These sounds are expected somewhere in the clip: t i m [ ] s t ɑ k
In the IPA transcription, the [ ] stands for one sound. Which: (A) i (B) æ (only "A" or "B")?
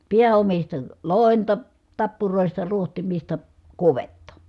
A